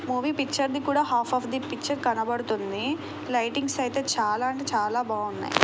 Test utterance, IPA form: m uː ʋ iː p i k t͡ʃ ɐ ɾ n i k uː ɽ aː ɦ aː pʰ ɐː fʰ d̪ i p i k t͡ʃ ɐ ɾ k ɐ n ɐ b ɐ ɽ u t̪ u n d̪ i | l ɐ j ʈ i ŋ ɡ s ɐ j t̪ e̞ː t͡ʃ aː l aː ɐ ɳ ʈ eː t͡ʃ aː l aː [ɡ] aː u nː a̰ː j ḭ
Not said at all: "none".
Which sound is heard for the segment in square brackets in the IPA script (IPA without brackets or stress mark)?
b